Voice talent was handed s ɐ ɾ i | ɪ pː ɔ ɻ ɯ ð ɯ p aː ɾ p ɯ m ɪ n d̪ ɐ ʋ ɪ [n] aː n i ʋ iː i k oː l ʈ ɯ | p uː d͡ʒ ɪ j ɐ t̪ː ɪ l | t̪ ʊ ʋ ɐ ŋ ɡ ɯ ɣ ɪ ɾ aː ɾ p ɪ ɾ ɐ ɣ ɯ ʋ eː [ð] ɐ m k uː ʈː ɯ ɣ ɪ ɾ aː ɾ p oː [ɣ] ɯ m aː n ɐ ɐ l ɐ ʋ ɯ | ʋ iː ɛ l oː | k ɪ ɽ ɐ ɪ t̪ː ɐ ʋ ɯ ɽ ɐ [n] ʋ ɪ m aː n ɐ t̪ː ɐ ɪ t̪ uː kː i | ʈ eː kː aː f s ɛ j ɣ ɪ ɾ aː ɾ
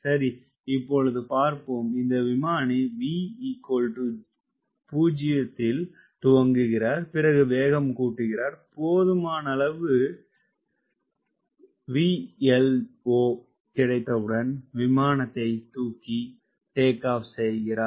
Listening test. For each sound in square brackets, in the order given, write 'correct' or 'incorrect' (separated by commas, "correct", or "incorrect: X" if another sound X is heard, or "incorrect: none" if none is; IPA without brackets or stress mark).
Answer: incorrect: m, incorrect: ɣ, incorrect: ð, correct